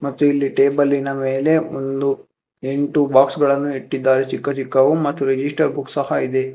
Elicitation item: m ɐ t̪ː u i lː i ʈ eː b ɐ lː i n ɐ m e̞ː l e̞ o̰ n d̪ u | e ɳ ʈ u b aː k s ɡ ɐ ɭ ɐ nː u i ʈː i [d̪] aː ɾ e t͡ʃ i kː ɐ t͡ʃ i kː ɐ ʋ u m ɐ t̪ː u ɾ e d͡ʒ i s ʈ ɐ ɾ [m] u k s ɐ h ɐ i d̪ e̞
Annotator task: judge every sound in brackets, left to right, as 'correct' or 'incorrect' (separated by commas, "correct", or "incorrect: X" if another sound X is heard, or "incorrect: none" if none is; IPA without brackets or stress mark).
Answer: incorrect: d̪ː, incorrect: b